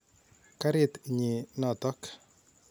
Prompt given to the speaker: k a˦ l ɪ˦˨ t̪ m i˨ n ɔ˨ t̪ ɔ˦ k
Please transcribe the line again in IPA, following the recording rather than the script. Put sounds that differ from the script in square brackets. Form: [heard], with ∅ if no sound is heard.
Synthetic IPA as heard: k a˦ [ɾ] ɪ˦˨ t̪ [ɲ] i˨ n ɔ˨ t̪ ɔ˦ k

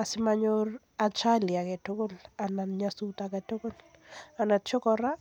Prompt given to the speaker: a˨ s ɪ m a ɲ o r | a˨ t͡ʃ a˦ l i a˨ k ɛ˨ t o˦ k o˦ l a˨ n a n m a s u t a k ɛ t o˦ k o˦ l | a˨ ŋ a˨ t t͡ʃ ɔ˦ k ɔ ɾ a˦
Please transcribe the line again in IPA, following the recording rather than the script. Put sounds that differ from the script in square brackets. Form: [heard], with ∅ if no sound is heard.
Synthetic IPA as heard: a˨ s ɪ m a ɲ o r | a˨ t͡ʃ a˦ l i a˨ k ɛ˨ t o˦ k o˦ l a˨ n a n [ɲ] a s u t a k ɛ t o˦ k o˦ l | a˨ [n] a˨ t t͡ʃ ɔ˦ k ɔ ɾ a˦

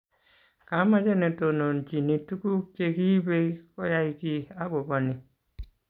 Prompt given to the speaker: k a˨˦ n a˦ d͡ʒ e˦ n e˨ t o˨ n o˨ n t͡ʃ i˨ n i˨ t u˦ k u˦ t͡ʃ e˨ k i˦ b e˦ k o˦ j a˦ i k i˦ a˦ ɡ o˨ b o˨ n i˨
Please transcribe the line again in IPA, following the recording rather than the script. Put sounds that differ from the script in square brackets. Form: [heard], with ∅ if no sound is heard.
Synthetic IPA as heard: k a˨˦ [m] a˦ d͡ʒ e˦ n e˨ t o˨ n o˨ n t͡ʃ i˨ n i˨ t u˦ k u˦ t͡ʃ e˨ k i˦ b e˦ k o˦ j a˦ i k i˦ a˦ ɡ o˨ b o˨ n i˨

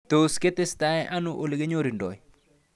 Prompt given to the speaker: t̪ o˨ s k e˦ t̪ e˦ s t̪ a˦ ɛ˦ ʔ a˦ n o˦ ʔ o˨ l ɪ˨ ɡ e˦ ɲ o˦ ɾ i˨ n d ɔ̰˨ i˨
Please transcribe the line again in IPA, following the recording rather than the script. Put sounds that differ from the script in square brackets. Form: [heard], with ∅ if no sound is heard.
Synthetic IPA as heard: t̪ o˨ s k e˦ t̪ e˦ s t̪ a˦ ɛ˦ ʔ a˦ n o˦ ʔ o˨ l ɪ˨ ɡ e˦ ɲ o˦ ɾ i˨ n d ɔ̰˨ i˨

